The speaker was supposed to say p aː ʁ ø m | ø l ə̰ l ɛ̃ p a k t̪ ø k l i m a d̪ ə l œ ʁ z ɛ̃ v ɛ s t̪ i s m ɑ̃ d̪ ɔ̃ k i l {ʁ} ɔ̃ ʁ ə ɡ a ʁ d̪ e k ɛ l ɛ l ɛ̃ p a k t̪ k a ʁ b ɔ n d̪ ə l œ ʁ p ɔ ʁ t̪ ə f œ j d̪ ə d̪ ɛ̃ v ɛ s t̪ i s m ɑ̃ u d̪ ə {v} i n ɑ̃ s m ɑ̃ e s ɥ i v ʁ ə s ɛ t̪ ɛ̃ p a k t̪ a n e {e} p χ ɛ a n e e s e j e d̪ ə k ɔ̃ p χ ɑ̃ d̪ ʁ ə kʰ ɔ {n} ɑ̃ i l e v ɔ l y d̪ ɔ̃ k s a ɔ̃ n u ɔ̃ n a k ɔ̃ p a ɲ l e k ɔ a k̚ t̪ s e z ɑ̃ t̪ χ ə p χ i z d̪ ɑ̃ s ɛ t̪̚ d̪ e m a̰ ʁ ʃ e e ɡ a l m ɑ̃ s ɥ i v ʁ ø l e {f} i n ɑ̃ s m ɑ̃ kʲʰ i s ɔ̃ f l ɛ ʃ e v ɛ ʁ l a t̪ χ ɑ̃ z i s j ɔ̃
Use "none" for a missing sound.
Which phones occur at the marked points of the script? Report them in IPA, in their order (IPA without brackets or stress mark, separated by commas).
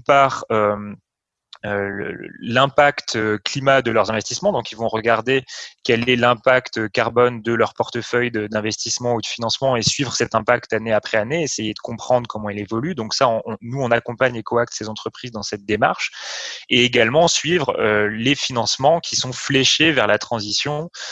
v, f, a, m, f